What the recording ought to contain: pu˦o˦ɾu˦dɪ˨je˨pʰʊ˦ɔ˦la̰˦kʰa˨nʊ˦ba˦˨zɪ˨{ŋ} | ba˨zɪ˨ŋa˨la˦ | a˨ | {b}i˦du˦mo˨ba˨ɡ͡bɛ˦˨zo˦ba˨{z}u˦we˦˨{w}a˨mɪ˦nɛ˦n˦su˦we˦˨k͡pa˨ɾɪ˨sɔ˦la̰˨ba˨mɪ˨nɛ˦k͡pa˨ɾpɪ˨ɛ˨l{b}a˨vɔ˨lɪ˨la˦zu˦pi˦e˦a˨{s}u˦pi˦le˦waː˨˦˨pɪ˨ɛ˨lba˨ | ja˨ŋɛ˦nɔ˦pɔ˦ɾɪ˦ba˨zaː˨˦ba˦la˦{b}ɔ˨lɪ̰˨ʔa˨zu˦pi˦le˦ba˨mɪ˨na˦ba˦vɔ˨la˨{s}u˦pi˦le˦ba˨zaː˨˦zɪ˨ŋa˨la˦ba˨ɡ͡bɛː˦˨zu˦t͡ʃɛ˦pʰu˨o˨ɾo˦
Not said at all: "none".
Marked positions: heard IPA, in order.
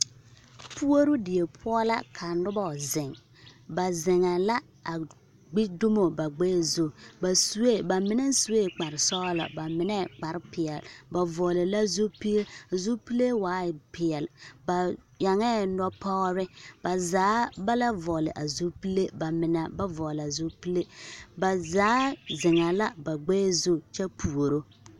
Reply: ŋ, ɡ͡b, s, b, b, z, v, z

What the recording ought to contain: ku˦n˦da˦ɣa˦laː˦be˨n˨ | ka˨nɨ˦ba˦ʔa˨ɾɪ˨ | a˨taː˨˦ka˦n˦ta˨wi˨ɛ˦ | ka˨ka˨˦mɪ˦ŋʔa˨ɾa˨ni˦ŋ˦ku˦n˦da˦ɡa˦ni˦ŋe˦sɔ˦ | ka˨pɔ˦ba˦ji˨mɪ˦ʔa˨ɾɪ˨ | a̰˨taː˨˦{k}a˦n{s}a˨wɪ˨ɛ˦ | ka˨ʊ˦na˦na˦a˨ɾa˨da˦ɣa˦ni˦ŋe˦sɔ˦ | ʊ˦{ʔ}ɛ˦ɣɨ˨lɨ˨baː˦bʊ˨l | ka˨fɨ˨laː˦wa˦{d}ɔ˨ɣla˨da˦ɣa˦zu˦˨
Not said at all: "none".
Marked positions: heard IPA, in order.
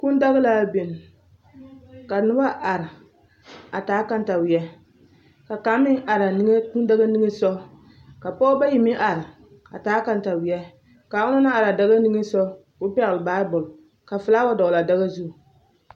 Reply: k, t, p, d

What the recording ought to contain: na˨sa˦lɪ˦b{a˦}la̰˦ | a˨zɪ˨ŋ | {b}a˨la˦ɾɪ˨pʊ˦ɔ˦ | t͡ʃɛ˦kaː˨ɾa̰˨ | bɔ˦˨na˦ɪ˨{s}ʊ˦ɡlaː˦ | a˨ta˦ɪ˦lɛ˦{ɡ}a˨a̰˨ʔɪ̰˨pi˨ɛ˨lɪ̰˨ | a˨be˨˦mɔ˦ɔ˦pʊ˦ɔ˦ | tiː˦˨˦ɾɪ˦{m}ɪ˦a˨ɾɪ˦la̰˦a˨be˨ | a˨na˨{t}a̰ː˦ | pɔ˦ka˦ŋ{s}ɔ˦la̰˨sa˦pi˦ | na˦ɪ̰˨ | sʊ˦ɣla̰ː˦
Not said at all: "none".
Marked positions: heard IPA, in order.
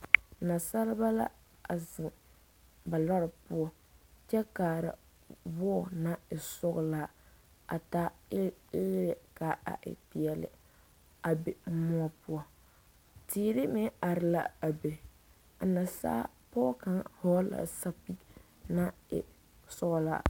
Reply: a˦, b, s, k, m, s, h

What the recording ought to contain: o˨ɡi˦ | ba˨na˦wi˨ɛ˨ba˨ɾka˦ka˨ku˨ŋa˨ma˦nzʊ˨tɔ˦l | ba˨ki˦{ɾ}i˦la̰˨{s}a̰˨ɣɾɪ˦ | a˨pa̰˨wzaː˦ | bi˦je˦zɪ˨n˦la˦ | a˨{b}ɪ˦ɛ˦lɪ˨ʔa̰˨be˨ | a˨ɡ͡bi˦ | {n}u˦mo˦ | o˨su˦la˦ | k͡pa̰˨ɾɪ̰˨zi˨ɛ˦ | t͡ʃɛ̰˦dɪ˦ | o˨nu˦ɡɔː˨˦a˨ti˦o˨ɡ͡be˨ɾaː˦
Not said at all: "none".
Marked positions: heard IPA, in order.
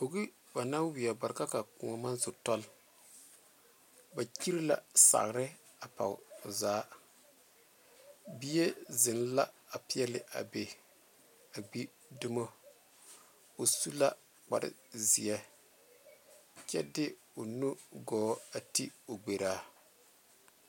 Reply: ɾ, s, p, d

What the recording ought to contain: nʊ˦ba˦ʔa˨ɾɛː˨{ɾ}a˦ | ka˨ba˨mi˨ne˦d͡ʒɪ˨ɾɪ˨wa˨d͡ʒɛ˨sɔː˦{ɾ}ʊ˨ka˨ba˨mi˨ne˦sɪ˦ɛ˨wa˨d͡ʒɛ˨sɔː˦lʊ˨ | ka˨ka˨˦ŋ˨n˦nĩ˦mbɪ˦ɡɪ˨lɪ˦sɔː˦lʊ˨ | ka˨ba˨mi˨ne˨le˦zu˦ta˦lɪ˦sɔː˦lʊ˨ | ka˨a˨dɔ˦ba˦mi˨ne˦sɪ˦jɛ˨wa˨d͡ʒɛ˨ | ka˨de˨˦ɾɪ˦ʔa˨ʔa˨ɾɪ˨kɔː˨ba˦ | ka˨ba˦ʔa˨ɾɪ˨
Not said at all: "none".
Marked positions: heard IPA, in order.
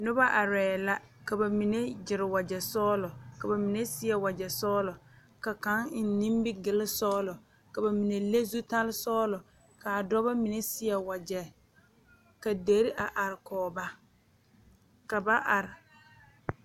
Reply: l, l

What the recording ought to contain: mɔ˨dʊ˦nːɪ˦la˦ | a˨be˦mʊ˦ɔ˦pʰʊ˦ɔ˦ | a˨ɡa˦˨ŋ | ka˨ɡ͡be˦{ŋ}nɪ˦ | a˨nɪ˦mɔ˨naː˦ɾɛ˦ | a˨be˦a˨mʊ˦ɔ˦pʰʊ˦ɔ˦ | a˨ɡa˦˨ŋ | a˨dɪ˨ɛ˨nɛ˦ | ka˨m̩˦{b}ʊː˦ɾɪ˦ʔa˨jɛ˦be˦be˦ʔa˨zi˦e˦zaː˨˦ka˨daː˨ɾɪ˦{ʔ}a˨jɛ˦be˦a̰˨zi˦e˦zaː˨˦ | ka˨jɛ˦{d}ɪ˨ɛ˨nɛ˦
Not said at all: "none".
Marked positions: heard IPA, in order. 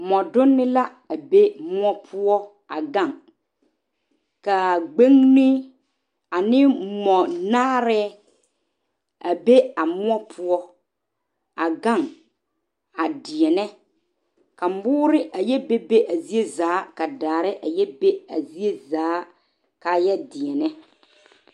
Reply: ŋ, b, ʔ, d

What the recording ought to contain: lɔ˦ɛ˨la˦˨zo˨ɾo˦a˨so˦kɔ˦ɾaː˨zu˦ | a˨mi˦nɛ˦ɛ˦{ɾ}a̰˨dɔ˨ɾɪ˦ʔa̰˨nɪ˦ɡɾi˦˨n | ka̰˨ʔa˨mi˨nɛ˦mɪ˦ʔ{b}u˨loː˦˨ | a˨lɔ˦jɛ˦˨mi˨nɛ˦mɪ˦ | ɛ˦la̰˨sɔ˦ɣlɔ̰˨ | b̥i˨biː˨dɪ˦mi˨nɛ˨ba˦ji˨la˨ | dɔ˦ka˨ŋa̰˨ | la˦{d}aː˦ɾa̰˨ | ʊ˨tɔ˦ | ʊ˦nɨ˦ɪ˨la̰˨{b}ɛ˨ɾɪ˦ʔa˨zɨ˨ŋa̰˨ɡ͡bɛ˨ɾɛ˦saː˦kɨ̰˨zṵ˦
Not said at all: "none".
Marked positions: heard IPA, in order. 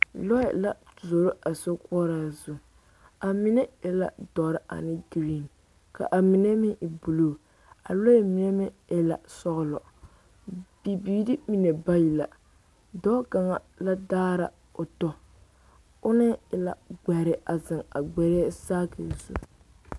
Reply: l, b, d, ɡ͡b

